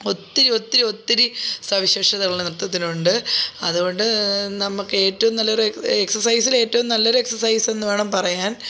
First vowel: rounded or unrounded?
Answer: rounded